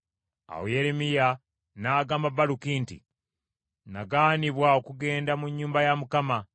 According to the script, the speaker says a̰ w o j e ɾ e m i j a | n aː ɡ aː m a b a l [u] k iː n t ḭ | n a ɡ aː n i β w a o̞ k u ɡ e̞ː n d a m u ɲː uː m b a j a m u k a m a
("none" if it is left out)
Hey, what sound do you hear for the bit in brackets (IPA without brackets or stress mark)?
u